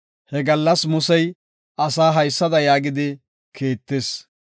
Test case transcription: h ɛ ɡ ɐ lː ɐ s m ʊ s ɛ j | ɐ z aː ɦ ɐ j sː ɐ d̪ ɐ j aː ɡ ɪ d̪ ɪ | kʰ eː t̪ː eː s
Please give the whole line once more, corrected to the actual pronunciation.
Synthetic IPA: h ɛ ɡ ɐ lː ɐ s m ʊ s ɛ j | ɐ s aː ɦ ɐ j sː ɐ d̪ ɐ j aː ɡ ɪ d̪ ɪ | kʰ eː t̪ː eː s